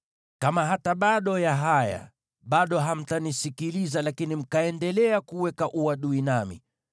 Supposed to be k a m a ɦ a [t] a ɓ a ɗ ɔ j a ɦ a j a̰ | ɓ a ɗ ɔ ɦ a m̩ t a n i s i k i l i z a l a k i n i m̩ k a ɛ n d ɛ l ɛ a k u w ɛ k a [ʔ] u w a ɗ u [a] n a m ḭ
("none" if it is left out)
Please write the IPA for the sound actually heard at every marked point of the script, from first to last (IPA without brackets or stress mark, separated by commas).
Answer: t, ʔ, i